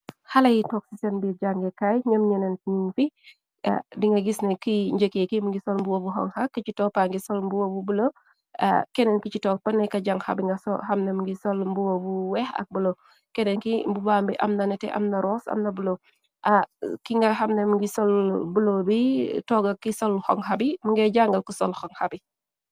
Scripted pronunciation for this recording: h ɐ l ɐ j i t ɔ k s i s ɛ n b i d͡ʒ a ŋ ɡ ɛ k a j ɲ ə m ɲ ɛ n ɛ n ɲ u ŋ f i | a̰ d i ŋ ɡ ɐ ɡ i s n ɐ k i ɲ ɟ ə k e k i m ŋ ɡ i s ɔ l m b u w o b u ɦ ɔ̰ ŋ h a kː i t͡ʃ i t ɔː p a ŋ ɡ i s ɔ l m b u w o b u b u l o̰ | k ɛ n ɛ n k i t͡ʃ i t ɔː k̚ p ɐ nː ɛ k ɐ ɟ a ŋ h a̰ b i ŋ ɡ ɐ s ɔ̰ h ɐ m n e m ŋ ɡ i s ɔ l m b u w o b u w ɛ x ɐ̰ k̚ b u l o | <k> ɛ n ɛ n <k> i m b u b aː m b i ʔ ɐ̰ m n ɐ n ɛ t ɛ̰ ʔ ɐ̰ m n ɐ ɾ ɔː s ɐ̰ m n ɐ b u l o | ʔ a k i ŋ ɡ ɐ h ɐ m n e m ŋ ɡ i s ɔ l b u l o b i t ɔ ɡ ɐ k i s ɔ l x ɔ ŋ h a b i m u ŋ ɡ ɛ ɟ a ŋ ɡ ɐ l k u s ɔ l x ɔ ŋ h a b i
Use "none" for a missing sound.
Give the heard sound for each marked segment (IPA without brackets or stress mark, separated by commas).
k, k